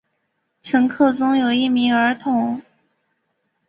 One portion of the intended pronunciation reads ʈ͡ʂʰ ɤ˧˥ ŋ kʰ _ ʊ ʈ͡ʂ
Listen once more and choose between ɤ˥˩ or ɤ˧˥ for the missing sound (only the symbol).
ɤ˥˩